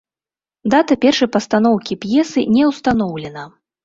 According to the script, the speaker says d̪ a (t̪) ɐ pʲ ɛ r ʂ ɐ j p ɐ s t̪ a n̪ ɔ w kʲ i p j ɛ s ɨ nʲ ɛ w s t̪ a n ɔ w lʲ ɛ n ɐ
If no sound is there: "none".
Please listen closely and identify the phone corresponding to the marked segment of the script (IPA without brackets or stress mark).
t̪